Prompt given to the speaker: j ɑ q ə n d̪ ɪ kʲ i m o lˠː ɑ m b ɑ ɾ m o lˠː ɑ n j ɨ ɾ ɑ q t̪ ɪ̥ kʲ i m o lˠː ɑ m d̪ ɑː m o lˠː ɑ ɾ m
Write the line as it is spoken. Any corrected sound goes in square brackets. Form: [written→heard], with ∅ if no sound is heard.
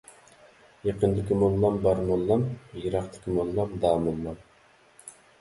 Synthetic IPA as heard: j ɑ q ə n d̪ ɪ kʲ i m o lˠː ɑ m b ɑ ɾ m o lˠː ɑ [n→m] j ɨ ɾ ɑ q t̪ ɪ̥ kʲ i m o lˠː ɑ m d̪ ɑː m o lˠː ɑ [ɾ→∅] m

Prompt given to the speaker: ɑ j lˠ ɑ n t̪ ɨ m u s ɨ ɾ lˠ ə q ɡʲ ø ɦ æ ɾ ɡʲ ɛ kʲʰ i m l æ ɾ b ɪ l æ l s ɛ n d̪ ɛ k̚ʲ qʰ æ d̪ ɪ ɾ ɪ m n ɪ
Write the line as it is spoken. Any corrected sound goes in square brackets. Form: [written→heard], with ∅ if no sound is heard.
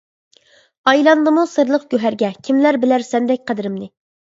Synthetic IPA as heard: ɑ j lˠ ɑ n [t̪→d̪] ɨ m u s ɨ ɾ lˠ ə q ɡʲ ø ɦ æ ɾ ɡʲ ɛ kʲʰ i m l æ ɾ b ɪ l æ [l→ɾ] s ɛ n d̪ ɛ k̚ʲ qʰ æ d̪ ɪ ɾ ɪ m n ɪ

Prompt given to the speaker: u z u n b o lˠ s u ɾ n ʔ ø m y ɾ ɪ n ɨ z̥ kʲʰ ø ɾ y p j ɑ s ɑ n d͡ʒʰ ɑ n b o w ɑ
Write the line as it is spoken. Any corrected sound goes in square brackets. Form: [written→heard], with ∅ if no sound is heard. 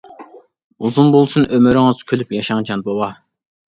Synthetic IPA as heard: u z u n b o lˠ s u [ɾ→∅] n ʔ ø m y ɾ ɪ [n→ŋ] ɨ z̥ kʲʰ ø [ɾ→l] y p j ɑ [s→ʃ] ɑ [n→ŋ] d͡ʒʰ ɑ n b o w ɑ

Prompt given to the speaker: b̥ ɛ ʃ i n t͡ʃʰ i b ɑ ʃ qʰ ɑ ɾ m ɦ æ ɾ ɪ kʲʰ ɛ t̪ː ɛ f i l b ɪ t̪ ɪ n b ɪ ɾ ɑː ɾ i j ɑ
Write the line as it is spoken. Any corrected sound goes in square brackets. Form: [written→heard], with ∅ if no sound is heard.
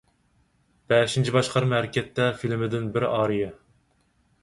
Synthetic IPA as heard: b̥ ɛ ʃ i n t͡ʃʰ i b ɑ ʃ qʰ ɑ ɾ m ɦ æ ɾ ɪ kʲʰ ɛ t̪ː ɛ f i l [b→m] ɪ [t̪→d̪] ɪ n b ɪ ɾ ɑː ɾ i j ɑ

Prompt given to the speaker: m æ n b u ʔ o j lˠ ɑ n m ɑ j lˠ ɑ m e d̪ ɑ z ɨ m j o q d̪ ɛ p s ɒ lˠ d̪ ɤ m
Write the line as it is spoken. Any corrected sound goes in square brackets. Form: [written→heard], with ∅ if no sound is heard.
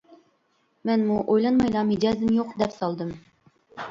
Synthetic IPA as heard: m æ n [b→m] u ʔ o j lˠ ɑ n m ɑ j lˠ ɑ m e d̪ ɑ z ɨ m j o q d̪ ɛ p s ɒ lˠ d̪ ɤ m

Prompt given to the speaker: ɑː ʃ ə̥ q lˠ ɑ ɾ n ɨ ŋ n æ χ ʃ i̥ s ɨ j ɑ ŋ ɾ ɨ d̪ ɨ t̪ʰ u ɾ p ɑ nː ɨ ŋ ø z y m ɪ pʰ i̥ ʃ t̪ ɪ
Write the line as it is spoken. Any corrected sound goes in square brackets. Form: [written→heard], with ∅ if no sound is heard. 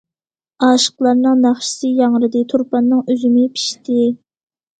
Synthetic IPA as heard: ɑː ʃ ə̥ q lˠ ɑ ɾ n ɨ ŋ n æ χ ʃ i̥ s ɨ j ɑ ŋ ɾ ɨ d̪ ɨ t̪ʰ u ɾ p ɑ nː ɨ ŋ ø z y m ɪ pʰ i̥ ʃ t̪ ɪ

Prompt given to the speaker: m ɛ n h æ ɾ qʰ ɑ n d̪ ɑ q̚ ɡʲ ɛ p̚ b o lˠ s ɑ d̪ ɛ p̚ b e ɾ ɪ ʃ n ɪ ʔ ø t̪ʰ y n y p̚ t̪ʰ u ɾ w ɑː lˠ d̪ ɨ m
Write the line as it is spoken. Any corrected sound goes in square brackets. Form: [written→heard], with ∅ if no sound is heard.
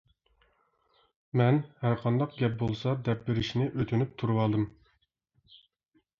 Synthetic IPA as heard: m ɛ n h æ ɾ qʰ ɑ n d̪ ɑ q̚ ɡʲ ɛ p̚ b o lˠ s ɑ d̪ ɛ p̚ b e ɾ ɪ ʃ n ɪ ʔ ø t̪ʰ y n y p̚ t̪ʰ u ɾ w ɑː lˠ d̪ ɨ m

